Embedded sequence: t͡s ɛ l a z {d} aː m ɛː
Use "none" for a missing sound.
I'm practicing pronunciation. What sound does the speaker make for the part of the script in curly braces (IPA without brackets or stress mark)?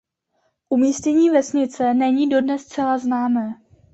n